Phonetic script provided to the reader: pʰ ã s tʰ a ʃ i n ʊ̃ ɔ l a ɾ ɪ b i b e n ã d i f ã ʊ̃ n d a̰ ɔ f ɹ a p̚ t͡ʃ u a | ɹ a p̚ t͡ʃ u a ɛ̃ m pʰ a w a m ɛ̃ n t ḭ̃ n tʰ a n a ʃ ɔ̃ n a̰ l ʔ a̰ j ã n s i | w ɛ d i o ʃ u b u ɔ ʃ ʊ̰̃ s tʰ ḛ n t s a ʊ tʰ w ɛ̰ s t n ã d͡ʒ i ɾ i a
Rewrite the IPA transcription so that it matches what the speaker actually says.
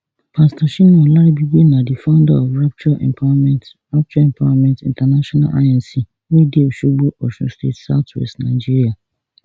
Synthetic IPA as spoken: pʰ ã s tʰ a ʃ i n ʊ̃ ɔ l a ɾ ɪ b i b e n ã d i f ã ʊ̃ n d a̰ ɔ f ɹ a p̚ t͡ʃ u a | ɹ a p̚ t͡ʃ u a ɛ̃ m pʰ a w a m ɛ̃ n t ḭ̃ n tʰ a n a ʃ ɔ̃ n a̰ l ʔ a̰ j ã n s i | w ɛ d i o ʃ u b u ɔ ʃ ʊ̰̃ s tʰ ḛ t s a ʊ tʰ w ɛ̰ s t n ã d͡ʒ i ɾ i a